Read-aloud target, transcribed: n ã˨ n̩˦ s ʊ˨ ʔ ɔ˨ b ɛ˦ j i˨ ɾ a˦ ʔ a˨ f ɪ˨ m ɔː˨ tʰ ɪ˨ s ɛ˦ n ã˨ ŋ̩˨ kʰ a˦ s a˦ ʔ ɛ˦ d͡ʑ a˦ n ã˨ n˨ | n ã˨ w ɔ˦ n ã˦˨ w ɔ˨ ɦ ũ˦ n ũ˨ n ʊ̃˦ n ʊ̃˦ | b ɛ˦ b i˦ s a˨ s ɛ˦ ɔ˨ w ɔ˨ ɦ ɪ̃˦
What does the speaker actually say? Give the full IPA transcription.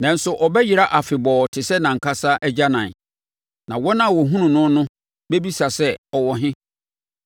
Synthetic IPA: n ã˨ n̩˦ s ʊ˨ ʔ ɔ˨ b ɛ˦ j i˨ ɾ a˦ ʔ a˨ f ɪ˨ b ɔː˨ tʰ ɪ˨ s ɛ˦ n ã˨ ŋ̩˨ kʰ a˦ s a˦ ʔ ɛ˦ d͡ʑ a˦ n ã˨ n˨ | n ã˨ w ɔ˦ n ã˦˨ w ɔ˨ ɦ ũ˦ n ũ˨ n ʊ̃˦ n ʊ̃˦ | b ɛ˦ b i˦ s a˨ s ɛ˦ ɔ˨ w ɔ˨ ɦ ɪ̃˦